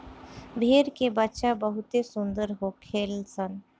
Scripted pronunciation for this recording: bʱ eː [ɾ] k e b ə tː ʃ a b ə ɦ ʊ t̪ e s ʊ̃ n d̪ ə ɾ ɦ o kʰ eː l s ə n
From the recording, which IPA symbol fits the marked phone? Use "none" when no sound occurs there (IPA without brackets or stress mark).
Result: ɾ